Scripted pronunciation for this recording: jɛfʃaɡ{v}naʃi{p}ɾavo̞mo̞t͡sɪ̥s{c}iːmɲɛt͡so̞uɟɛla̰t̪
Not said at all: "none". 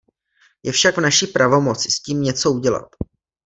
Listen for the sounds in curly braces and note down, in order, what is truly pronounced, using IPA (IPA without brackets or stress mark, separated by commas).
v, p, c